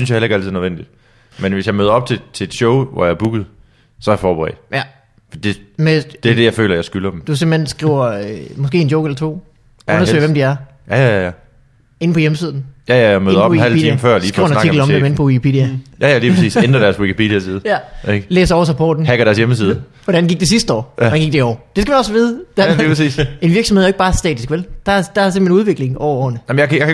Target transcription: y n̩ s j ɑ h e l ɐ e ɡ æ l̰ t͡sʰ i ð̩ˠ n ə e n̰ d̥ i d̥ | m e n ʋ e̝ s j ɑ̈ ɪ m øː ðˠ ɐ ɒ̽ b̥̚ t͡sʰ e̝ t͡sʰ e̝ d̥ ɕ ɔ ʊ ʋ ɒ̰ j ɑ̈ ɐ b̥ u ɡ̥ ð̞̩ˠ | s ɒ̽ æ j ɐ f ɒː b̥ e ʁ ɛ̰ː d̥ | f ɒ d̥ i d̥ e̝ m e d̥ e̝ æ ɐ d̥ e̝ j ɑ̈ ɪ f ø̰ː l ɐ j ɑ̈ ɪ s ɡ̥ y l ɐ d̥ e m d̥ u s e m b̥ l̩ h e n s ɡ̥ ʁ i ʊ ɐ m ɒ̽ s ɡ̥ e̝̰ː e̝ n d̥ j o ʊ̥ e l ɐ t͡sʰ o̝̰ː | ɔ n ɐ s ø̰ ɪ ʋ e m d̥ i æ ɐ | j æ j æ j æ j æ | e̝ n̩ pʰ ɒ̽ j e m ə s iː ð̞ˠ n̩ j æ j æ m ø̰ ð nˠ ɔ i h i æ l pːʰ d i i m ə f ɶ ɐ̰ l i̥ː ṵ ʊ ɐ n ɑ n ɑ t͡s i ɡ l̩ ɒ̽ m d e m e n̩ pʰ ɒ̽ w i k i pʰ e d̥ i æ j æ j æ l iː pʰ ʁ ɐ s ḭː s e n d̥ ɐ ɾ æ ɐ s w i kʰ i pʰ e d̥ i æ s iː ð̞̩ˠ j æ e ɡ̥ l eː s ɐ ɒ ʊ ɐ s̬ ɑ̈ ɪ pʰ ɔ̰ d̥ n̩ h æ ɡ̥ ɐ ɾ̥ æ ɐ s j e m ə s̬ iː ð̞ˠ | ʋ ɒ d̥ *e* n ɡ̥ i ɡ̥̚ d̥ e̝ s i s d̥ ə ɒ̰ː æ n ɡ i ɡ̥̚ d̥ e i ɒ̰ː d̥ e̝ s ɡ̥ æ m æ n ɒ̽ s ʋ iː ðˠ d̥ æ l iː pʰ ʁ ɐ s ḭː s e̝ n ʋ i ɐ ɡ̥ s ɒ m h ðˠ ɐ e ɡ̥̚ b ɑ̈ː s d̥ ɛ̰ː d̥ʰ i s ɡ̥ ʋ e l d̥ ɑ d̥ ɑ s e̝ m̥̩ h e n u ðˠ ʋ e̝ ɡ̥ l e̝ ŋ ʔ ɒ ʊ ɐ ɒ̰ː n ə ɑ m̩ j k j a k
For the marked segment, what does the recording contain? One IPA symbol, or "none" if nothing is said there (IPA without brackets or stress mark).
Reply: æ